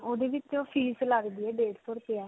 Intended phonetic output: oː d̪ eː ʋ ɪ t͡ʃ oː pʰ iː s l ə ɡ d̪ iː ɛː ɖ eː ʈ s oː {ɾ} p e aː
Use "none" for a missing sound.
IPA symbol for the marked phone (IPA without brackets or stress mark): ɾ